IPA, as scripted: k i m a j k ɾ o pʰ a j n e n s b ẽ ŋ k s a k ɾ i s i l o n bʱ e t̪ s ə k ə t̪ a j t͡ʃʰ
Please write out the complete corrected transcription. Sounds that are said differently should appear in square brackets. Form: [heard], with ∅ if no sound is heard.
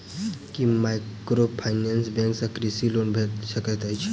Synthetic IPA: k i m a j k ɾ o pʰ a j n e n s b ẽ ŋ k s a k ɾ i s i l o n bʱ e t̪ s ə k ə t̪ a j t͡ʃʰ